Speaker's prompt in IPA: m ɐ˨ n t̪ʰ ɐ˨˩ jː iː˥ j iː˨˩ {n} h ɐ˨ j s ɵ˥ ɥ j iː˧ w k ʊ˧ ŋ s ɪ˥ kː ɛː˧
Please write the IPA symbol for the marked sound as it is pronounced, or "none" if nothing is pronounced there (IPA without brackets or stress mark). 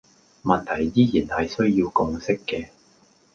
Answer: n